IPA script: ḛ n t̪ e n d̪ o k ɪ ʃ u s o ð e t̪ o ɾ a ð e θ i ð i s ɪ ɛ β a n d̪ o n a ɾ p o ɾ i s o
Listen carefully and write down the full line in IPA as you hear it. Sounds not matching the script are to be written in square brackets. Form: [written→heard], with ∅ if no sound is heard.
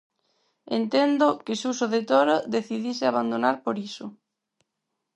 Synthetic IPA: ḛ n t̪ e n d̪ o k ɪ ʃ u s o ð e t̪ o ɾ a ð e θ i ð i s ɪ [ɛ→a] β a n d̪ o n a ɾ p o ɾ i s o